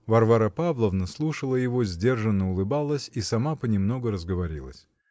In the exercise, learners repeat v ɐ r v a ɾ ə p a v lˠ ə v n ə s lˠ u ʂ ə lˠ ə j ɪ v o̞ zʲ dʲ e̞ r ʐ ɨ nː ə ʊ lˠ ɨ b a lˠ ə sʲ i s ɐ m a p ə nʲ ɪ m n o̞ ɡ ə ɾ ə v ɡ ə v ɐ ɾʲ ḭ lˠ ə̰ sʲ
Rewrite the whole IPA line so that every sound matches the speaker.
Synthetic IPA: v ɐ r v a ɾ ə p a v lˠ ə v n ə s lˠ u ʂ ə lˠ ə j ɪ v o̞ zʲ dʲ e̞ r ʐ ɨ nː ə ʊ lˠ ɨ b a lˠ ə sʲ i s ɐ m a p ə nʲ ɪ m n o̞ ɡ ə ɾ ə z ɡ ə v ɐ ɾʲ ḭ lˠ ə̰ sʲ